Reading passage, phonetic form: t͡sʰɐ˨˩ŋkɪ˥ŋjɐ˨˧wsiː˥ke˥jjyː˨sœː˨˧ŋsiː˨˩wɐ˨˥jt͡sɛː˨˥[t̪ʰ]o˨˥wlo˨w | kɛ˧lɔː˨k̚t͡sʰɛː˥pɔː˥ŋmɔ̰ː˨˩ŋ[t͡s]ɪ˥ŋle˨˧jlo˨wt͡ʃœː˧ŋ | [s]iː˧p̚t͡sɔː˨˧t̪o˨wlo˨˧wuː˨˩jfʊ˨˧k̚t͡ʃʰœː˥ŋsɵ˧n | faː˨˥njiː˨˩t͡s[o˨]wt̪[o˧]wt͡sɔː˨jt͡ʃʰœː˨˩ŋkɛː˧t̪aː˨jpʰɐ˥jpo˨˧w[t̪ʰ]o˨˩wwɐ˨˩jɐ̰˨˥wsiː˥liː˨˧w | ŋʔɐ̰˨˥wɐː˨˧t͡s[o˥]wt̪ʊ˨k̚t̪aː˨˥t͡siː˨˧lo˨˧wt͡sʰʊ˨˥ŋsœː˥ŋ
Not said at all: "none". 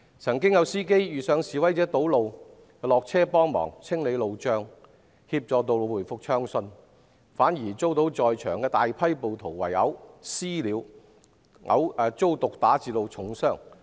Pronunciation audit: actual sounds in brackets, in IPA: t̪, t͡sʰ, h, o˥, o˨˥, t̪ʰ, o˥

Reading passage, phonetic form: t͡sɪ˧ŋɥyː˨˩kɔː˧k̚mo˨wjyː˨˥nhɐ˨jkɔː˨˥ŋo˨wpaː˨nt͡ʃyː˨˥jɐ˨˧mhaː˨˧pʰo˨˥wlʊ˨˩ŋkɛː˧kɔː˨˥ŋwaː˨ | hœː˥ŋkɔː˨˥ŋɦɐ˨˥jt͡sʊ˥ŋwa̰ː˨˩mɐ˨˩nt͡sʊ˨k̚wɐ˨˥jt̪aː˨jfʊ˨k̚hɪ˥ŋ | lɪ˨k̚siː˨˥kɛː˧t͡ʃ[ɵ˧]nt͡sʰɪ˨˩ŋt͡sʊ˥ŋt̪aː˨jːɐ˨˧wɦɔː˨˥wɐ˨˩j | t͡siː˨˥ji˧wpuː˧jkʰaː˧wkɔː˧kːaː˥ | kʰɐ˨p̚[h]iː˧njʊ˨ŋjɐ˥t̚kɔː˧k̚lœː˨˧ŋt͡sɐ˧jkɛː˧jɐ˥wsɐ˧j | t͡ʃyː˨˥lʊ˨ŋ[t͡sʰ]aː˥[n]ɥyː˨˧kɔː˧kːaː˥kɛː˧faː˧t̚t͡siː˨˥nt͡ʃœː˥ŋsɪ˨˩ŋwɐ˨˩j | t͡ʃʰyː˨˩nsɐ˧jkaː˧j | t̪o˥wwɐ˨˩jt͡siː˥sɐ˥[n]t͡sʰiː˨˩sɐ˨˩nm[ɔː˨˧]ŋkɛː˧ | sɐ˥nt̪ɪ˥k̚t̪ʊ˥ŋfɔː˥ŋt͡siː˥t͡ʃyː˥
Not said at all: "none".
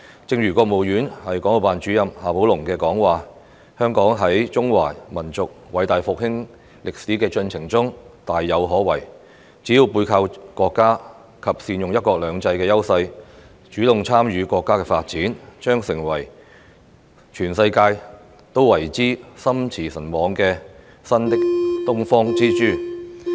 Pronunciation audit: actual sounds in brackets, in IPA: ɵ˧, s, t͡sʰ, m, m, ɔː˨˧

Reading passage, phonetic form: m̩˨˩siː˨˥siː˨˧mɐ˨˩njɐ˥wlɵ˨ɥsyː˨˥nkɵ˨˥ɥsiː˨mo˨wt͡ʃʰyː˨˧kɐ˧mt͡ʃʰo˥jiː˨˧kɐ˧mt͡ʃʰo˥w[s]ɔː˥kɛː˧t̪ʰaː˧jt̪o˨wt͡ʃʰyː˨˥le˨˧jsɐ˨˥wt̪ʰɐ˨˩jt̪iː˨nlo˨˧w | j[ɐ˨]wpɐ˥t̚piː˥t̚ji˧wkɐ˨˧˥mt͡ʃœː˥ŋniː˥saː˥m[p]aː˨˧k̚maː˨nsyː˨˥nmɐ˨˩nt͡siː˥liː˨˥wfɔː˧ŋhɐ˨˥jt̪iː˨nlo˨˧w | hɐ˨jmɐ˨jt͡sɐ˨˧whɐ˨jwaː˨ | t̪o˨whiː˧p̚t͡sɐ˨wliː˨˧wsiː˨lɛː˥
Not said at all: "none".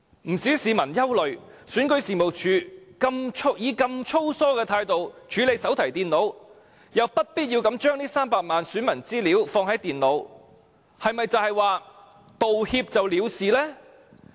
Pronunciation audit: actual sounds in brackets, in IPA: s, ɐ˨, p

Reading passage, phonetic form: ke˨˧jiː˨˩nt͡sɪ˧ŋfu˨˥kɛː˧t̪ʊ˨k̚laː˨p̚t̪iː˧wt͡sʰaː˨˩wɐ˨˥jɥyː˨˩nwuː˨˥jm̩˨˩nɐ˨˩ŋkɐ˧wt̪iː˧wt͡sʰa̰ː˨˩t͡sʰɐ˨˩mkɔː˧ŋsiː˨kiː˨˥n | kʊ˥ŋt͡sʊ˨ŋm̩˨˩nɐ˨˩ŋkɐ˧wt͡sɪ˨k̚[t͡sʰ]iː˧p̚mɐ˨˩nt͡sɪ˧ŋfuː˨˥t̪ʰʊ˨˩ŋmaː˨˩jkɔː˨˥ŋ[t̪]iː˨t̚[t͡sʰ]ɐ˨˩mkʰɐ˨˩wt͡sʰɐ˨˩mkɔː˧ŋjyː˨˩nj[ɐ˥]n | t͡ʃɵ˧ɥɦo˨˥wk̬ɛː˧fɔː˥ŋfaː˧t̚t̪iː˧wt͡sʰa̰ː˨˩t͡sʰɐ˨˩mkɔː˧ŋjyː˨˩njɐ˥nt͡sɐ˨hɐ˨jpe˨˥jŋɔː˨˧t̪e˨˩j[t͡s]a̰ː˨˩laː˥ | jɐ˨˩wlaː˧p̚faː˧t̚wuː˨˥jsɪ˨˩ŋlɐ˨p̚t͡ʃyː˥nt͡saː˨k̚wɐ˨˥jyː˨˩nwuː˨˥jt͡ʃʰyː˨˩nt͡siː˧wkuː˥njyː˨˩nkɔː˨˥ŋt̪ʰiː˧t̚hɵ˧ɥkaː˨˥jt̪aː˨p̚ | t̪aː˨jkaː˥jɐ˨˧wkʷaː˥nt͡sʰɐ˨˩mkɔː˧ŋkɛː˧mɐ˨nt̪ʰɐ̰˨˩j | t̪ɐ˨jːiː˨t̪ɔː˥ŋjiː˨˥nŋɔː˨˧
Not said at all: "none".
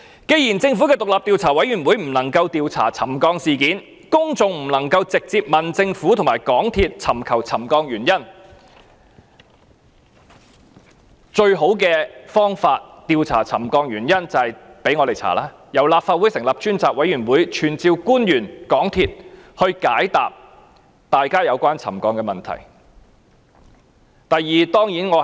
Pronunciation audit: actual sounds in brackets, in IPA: t͡s, t̪ʰ, t͡sʰ, ɐ˥, t͡sʰ

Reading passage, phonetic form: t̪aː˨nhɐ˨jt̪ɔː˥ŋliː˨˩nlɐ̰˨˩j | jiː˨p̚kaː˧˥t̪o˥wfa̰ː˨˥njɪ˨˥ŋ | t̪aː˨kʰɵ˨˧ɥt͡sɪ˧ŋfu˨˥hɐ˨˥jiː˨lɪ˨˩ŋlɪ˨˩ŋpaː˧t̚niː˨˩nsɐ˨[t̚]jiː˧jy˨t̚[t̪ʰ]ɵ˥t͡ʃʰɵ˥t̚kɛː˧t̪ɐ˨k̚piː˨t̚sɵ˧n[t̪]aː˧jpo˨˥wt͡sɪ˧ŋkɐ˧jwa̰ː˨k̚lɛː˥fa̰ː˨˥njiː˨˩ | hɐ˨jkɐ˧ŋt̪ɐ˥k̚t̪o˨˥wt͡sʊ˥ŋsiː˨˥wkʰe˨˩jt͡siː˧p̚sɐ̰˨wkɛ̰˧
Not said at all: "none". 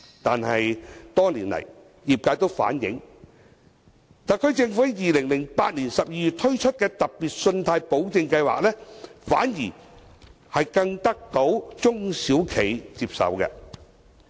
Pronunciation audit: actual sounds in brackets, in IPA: p̚, t̪ʰ, t̪ʰ

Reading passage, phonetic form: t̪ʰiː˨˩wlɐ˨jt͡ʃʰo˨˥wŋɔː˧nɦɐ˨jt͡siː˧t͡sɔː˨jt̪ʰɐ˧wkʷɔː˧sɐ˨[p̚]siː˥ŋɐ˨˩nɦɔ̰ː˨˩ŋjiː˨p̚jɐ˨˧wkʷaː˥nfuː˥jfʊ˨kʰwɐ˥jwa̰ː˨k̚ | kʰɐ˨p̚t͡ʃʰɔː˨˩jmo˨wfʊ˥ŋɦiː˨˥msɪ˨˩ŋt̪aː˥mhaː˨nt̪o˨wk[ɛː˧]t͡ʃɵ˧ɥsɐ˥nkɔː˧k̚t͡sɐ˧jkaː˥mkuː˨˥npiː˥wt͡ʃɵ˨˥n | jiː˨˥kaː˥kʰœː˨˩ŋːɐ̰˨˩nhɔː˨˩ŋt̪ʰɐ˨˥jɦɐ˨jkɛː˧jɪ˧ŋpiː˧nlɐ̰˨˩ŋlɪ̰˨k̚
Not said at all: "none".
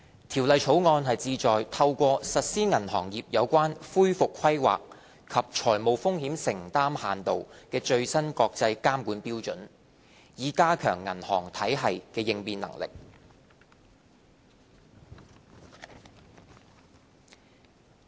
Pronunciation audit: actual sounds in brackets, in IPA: t̚, ɛː˧

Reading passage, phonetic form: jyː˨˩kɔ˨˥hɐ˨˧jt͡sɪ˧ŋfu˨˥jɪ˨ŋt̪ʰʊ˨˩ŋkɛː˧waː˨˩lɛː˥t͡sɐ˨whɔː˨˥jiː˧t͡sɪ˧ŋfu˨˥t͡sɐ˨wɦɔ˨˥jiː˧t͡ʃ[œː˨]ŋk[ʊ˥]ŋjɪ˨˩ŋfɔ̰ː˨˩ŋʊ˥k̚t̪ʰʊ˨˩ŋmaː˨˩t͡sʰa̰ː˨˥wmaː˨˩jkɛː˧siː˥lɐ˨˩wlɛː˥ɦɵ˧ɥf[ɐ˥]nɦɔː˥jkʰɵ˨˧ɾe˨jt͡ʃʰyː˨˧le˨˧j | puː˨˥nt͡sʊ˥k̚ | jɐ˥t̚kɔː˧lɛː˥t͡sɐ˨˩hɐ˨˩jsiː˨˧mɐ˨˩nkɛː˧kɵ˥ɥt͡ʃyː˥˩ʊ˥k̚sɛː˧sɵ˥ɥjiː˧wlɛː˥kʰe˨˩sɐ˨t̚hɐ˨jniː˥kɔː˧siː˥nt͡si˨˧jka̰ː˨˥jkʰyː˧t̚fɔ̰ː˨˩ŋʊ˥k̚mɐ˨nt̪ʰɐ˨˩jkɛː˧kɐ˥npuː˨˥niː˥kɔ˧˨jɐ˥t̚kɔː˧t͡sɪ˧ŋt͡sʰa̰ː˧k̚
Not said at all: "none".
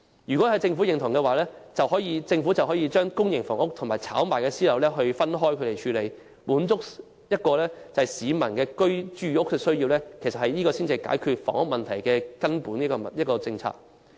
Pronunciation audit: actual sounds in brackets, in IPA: œː˥, ʊ˥, ɐ˥

